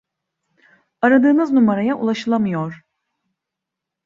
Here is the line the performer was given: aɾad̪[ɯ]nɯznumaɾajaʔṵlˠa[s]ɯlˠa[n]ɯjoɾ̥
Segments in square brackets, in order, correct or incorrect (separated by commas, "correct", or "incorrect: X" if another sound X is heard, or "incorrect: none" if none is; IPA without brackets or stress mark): incorrect: ɯː, incorrect: ʃ, incorrect: m